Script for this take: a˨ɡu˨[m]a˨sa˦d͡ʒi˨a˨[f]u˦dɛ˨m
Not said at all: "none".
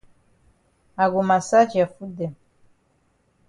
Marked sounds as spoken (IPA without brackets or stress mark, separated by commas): m, f